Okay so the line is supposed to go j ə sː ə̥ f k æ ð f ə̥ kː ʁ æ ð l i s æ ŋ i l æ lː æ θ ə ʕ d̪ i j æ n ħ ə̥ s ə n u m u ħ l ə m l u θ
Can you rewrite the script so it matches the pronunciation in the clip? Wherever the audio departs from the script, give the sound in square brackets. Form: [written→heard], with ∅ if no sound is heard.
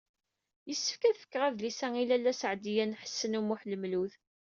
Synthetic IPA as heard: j ə sː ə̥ f k æ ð f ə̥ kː ʁ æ ð l i s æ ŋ i l æ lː æ [θ→s] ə ʕ d̪ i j æ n ħ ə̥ [s→sː] ə n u m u ħ l ə m l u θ